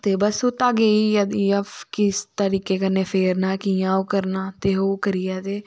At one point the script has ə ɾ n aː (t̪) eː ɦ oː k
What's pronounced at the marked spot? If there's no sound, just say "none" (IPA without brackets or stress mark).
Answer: t̪